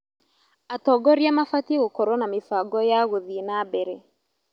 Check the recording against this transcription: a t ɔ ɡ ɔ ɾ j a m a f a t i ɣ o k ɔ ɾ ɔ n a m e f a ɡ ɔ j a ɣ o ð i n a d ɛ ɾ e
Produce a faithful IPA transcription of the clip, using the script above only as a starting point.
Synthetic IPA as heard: a t ɔ ɡ ɔ ɾ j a m a f a t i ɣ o k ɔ ɾ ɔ n a m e f a ɡ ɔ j a ɣ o ð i n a b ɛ ɾ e